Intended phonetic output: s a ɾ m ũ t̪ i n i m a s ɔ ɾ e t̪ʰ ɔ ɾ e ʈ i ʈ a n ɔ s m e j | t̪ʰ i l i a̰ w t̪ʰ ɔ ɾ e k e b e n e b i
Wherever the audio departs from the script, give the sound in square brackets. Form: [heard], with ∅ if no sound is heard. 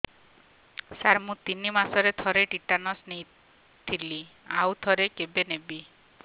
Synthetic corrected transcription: s a ɾ m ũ t̪ i n i m a s ɔ ɾ e t̪ʰ ɔ ɾ e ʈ i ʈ a n ɔ s [n] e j | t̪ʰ i l i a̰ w t̪ʰ ɔ ɾ e k e b e n e b i